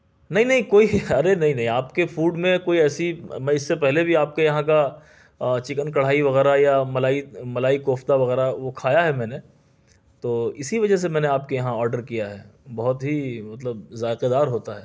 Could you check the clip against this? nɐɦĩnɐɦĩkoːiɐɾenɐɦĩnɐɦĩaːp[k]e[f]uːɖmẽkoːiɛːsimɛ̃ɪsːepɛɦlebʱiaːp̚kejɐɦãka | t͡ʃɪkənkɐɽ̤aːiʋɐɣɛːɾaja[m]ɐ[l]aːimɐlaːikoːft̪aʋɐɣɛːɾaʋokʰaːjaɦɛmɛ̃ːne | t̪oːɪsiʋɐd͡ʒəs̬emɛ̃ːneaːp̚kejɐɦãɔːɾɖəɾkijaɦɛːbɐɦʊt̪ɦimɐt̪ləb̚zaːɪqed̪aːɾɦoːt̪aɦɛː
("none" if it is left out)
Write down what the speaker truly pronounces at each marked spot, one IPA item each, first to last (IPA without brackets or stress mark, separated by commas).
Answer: k, f, m, l